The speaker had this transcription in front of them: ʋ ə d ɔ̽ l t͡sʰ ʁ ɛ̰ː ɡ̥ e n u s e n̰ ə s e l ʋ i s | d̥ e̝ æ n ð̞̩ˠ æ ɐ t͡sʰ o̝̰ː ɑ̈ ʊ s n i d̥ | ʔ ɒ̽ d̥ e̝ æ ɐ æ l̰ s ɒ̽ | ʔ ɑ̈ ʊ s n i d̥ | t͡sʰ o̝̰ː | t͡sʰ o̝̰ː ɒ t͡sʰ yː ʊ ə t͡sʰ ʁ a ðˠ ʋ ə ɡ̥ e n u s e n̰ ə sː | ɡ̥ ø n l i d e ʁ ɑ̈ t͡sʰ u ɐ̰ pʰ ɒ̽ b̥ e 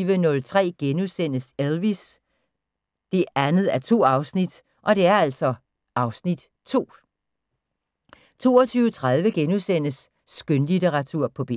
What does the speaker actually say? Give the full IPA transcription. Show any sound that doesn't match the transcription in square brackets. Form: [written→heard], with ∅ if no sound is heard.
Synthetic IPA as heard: ʋ ə [d→n] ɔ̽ l t͡sʰ ʁ ɛ̰ː ɡ̥ e n u s e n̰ ə s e l ʋ i s | d̥ e̝ æ n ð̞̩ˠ æ ɐ t͡sʰ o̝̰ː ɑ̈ ʊ s n i d̥ | ʔ ɒ̽ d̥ e̝ æ ɐ æ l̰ s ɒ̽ | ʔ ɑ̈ ʊ s n i d̥ | t͡sʰ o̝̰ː | t͡sʰ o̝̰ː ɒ t͡sʰ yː ʊ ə t͡sʰ ʁ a ðˠ ʋ ə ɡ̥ e n u s e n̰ ə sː | ɡ̥ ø n l i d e ʁ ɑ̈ t͡sʰ u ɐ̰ pʰ ɒ̽ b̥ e

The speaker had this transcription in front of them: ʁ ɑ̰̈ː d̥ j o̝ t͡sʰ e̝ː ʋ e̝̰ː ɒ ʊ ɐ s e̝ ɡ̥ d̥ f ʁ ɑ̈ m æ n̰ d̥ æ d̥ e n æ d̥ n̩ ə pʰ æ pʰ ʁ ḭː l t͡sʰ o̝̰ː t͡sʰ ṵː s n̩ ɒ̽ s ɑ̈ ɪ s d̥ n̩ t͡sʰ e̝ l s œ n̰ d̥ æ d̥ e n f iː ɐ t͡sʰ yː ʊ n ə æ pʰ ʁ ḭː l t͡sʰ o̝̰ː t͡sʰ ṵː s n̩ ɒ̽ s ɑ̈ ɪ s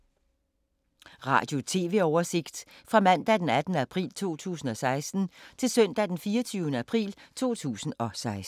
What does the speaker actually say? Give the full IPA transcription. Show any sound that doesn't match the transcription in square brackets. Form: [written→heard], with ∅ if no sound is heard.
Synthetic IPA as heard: ʁ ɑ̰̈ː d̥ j o̝ t͡sʰ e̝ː ʋ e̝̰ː ɒ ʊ ɐ s e̝ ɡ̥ d̥ f ʁ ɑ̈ m æ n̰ d̥ æ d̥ e n æ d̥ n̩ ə [pʰ→∅] æ pʰ ʁ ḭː l t͡sʰ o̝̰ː t͡sʰ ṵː s n̩ ɒ̽ s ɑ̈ ɪ s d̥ n̩ t͡sʰ e̝ l s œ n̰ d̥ æ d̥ e n f iː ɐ t͡sʰ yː ʊ n ə æ pʰ ʁ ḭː l t͡sʰ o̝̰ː t͡sʰ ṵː s n̩ ɒ̽ s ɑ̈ ɪ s

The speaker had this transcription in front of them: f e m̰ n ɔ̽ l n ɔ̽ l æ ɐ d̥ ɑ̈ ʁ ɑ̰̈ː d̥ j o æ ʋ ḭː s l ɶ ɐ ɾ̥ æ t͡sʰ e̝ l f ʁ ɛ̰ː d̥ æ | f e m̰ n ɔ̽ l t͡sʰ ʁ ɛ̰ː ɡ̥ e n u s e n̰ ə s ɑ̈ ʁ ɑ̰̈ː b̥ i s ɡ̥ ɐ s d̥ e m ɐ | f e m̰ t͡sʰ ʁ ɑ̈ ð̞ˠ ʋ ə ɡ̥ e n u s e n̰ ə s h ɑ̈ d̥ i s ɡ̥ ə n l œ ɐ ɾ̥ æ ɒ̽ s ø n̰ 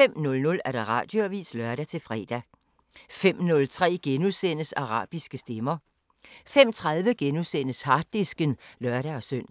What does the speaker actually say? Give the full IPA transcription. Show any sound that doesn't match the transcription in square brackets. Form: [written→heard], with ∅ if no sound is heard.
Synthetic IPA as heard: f e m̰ n ɔ̽ l n ɔ̽ l æ ɐ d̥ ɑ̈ ʁ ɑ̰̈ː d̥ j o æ ʋ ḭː s l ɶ ɐ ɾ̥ æ t͡sʰ e̝ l f ʁ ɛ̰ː d̥ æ | f e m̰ n ɔ̽ l t͡sʰ ʁ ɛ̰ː ɡ̥ e n u s e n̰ ə s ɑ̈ ʁ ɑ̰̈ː b̥ i s ɡ̥ [ɐ→ə] s d̥ e m ɐ | f e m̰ t͡sʰ ʁ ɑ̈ ð̞ˠ ʋ ə ɡ̥ e n u s e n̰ ə s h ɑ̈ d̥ i s ɡ̥ ə n l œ ɐ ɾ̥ æ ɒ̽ s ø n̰

